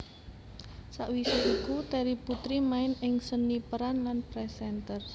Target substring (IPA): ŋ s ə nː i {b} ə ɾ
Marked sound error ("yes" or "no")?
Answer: yes